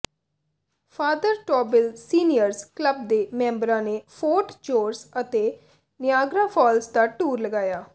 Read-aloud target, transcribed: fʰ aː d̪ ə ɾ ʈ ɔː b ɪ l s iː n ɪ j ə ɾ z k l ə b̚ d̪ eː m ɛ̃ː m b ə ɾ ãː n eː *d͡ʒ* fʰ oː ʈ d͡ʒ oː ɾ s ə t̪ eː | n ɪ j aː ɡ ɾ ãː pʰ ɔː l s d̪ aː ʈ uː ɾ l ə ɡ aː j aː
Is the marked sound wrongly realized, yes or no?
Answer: yes